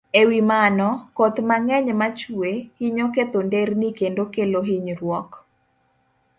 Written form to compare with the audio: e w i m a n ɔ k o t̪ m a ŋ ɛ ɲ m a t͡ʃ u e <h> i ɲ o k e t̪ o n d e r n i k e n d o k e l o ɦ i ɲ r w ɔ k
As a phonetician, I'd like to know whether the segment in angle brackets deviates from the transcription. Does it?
no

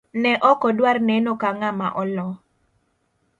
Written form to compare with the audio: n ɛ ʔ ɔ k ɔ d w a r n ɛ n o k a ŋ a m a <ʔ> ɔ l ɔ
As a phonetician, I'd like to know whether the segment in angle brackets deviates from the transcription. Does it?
no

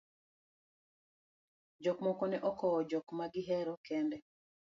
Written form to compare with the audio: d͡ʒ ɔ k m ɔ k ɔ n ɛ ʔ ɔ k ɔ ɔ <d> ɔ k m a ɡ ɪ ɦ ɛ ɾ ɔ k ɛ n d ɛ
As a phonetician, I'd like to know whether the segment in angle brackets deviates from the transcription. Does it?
yes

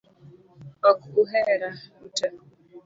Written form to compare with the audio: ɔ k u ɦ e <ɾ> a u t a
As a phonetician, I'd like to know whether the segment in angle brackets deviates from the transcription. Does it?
no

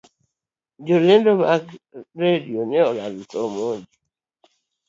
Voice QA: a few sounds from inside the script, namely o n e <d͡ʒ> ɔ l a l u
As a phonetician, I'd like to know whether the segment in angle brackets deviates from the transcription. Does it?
yes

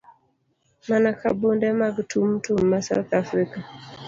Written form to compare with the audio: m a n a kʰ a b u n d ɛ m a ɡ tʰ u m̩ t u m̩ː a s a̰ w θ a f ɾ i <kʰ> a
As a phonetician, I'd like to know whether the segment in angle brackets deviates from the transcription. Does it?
yes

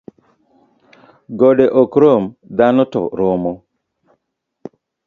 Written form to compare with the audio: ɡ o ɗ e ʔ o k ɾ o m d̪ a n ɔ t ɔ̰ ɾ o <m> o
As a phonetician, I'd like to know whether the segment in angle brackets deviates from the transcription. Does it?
no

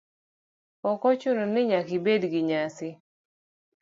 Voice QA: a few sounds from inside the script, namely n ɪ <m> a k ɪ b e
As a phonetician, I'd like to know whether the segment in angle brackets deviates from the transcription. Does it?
yes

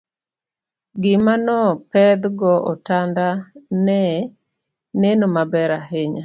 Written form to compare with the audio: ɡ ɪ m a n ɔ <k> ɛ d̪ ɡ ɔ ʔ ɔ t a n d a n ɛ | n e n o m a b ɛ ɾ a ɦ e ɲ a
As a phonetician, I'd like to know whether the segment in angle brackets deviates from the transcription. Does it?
yes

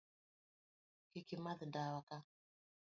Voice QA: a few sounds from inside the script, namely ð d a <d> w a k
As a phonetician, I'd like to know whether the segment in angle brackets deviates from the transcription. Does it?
yes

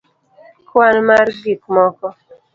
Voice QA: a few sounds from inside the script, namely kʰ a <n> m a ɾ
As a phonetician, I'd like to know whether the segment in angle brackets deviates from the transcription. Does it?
no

